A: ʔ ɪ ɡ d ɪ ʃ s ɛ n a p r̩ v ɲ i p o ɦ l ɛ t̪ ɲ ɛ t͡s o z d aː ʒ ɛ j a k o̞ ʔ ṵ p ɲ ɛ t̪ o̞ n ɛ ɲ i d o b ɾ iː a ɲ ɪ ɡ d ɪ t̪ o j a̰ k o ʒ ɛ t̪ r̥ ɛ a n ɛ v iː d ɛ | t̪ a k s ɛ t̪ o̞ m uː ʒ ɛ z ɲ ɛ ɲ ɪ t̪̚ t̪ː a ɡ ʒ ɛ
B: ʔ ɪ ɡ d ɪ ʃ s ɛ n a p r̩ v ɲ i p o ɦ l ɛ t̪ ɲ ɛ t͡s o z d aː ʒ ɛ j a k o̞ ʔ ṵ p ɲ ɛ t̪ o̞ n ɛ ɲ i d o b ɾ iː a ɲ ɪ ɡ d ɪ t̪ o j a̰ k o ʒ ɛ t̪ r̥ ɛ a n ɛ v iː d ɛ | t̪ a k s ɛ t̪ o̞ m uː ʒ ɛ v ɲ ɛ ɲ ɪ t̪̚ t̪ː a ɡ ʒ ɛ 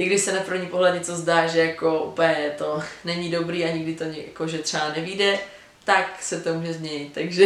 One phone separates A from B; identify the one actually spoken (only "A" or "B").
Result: A